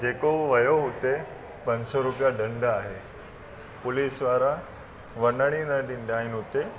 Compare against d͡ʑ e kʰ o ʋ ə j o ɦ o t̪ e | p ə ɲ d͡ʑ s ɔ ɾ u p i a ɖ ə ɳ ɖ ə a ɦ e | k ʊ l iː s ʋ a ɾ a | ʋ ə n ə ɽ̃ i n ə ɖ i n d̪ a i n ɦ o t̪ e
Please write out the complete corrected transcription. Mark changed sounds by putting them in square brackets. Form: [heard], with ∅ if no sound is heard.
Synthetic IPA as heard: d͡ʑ e [k] o ʋ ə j o ɦ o t̪ e | p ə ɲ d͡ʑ s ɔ ɾ u p [j] a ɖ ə ɳ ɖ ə a ɦ e | [p] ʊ l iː s ʋ a ɾ a | ʋ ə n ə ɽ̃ i n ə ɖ i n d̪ a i n ɦ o t̪ e